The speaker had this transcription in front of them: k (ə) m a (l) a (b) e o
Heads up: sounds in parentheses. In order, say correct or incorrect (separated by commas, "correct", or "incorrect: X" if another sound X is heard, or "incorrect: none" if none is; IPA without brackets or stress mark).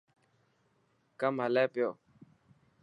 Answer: incorrect: a, correct, incorrect: p